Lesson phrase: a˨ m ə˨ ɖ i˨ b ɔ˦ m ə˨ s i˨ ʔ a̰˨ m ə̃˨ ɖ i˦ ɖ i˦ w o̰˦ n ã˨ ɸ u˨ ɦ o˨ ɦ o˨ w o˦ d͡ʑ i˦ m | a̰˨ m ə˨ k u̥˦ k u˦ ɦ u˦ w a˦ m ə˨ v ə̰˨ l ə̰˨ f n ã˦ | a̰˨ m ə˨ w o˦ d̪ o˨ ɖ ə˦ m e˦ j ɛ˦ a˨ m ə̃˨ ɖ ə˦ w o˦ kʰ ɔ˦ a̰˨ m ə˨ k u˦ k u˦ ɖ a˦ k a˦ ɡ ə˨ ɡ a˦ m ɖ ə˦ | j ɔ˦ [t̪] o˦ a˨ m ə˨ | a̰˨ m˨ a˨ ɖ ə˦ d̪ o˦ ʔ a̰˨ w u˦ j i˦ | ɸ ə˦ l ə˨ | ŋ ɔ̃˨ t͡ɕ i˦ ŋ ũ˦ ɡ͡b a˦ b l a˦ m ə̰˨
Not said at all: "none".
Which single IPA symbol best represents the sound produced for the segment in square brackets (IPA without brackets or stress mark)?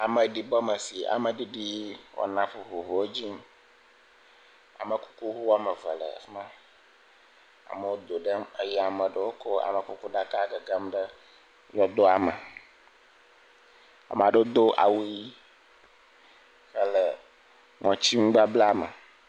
d̪